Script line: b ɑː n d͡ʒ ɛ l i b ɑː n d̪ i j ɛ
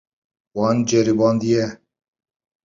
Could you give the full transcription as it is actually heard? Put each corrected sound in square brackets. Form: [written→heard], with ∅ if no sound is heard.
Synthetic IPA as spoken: [b→w] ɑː n d͡ʒ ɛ [l→ɾ] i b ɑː n d̪ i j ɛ